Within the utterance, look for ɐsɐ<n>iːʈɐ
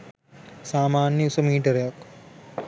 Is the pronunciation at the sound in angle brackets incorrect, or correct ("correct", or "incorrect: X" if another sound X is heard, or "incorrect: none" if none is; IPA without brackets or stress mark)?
incorrect: m